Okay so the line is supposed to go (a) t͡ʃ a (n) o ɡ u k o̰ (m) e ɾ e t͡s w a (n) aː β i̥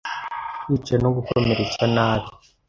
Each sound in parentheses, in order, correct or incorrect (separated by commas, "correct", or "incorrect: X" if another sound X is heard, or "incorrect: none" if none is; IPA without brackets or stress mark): incorrect: i, correct, correct, correct